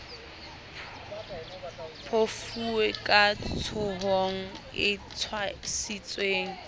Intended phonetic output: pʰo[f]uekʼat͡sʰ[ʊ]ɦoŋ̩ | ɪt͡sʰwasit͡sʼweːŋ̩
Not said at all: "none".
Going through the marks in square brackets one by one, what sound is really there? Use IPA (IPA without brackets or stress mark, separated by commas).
f, ʊ